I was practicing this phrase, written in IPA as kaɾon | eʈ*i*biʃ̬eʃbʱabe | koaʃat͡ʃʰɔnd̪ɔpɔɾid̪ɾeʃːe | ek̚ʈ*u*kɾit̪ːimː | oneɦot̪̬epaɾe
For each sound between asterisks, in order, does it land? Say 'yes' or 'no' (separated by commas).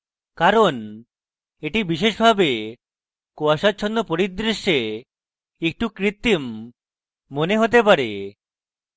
yes, yes